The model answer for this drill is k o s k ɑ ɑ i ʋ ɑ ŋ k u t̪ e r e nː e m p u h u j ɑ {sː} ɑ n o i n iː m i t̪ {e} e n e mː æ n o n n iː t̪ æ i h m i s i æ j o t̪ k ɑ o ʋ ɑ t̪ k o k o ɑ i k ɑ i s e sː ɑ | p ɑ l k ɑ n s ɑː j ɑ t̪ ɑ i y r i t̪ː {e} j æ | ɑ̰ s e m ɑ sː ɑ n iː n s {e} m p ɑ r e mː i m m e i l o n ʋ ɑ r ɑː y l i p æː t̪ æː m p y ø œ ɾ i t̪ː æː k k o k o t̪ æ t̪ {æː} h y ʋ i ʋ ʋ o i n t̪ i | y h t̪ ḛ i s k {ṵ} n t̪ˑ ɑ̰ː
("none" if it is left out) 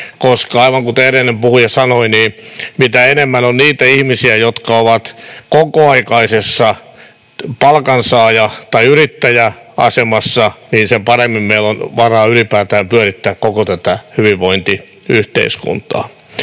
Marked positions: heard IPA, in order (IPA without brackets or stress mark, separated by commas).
s, æ, æ, e, æ, ṵ